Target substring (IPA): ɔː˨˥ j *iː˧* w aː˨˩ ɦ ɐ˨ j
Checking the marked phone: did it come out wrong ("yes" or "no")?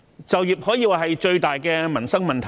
no